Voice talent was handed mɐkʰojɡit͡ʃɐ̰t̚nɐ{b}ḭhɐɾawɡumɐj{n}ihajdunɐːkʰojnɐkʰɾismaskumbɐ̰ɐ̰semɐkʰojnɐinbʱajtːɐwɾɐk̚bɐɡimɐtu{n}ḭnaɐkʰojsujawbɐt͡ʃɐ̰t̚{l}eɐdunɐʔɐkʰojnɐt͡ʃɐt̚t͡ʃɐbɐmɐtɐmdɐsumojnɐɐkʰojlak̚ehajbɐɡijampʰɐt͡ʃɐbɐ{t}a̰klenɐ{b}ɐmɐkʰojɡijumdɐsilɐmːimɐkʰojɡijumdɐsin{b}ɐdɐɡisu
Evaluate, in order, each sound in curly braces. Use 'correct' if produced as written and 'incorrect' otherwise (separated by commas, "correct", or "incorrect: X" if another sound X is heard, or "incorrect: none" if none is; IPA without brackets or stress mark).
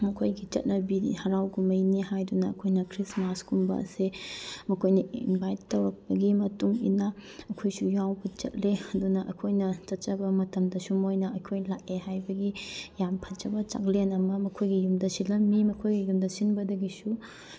correct, correct, incorrect: ŋ, correct, incorrect: t͡ʃ, incorrect: m, correct